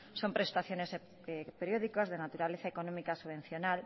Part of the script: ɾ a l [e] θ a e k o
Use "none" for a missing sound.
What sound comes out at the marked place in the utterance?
e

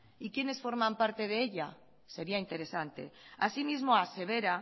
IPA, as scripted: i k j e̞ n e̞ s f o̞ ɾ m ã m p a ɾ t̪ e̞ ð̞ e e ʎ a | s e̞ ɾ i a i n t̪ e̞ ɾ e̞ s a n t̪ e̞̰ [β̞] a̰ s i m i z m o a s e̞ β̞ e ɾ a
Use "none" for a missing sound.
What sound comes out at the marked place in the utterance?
none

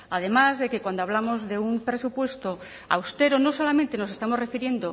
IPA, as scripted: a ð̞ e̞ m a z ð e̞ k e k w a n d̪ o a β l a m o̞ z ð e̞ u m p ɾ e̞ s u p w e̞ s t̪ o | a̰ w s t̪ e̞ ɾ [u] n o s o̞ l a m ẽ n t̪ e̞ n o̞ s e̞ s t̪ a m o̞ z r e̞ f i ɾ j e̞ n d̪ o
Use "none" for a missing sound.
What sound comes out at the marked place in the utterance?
o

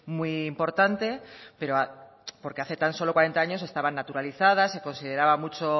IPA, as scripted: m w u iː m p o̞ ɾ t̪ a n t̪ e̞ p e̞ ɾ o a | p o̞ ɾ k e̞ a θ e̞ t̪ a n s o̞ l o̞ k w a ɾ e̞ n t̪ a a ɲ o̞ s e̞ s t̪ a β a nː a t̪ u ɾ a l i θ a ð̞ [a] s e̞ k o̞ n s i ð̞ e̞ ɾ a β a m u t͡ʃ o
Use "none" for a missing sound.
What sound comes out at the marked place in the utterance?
a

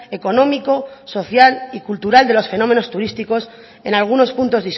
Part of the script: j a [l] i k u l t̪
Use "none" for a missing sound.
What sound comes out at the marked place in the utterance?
l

